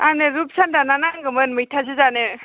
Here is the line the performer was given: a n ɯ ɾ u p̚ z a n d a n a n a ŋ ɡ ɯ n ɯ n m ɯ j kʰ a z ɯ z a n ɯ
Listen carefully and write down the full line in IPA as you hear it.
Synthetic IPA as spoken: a n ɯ ɾ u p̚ s a n d a n a n a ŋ ɡ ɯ m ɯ n m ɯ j tʰ a z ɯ z a n ɯ